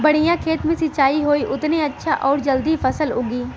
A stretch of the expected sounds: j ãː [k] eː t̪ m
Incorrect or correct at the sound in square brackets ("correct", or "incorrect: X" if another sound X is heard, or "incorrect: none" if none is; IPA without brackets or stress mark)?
incorrect: kʰ